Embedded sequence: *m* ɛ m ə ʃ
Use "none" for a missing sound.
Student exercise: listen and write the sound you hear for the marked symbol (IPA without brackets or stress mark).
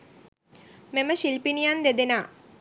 m